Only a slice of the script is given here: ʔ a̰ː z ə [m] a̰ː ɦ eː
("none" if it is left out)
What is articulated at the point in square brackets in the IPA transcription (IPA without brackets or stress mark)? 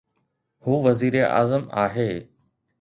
m